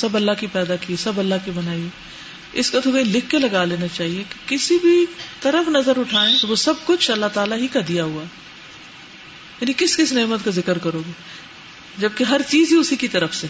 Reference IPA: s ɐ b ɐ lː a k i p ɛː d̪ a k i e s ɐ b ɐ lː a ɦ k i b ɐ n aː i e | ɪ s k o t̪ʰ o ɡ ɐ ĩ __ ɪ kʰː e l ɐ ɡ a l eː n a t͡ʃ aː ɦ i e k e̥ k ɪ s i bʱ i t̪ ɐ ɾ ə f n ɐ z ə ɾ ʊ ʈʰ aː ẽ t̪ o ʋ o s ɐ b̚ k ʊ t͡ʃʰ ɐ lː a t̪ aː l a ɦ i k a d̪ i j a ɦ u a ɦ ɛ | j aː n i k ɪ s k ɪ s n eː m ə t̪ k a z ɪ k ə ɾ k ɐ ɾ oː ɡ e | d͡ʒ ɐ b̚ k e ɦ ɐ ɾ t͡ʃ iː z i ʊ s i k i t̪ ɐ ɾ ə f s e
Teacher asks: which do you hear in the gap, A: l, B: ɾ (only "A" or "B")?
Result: A